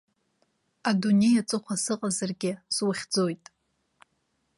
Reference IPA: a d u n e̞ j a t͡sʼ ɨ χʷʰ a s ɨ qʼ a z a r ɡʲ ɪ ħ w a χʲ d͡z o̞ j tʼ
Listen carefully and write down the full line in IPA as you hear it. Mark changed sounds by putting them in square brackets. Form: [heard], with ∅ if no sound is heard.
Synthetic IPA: a d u n e̞ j a t͡sʼ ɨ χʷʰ a s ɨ qʼ a z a r ɡʲ ɪ [s] w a χʲ d͡z o̞ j tʼ